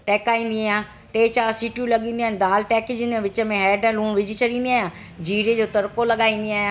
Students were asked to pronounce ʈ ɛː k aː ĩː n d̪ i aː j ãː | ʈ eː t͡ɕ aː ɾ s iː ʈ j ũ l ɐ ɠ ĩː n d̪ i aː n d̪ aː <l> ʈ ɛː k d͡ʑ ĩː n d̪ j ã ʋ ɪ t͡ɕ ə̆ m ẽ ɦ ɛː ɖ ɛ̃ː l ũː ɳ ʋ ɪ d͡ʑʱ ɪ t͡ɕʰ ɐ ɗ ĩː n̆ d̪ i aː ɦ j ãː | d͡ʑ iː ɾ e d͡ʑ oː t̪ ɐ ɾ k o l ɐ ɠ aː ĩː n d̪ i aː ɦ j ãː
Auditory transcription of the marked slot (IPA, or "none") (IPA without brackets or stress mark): l